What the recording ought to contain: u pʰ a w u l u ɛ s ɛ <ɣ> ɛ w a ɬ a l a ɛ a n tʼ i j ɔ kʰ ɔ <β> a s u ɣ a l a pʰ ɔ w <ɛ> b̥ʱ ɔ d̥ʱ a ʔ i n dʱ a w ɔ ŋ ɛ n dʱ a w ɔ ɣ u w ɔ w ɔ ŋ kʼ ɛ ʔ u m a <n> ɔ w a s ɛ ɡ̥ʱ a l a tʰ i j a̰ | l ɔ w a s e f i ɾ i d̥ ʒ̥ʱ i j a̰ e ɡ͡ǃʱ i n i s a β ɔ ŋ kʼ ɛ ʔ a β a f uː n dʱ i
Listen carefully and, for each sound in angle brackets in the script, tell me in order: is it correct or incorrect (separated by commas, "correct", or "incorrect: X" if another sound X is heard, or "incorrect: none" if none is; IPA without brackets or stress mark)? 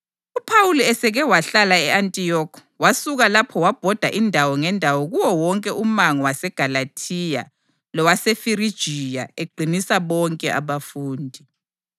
correct, incorrect: w, incorrect: a, incorrect: ŋ